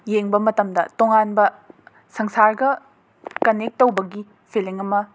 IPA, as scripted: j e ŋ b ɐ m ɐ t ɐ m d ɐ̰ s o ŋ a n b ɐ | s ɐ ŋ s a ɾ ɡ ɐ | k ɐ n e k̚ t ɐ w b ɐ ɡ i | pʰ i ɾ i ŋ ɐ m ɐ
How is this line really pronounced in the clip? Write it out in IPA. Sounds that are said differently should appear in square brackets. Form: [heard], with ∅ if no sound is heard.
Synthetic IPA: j e ŋ b ɐ m ɐ t ɐ m d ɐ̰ [t] o ŋ a n b ɐ | s ɐ ŋ s a ɾ ɡ ɐ | k ɐ n e k̚ t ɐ w b ɐ ɡ i | pʰ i [l] i ŋ ɐ m ɐ